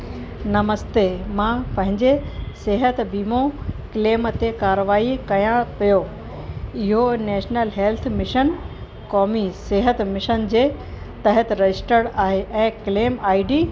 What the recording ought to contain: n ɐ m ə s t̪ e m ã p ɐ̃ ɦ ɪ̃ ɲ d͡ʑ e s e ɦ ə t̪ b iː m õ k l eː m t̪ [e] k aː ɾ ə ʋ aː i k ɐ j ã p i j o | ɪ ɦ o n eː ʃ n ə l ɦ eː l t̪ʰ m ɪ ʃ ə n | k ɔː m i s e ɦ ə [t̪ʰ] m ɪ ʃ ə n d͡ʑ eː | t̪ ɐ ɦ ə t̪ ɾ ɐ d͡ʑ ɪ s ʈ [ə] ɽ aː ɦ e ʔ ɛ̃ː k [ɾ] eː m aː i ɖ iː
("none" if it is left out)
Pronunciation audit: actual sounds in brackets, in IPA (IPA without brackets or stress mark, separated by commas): e, t̪, ə, l